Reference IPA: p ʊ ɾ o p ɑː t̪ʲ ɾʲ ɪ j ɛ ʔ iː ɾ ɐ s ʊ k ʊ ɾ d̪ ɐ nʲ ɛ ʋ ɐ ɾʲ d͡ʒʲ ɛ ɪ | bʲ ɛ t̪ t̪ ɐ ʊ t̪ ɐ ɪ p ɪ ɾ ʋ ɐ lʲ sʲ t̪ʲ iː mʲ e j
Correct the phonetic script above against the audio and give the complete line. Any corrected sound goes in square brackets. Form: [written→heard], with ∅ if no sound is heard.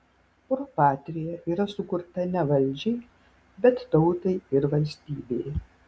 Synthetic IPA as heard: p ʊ ɾ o p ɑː t̪ʲ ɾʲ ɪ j ɛ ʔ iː ɾ ɐ s ʊ k ʊ ɾ [d̪→t̪] ɐ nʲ ɛ ʋ ɐ [ɾʲ→lʲ] d͡ʒʲ ɛ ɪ | bʲ ɛ t̪ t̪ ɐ ʊ t̪ ɐ ɪ [p→∅] ɪ ɾ ʋ ɐ lʲ sʲ t̪ʲ iː [mʲ→bʲ] e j